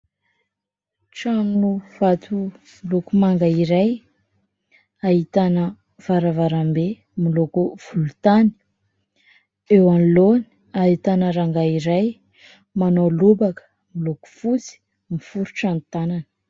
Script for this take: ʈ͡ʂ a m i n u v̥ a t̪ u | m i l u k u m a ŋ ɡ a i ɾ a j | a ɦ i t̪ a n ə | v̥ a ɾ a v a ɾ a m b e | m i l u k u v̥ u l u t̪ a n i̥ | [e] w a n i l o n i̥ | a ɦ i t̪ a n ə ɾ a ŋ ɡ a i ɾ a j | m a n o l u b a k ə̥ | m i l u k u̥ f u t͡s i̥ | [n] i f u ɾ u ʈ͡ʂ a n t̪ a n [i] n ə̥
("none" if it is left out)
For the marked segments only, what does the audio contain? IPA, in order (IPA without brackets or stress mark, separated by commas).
e, m, a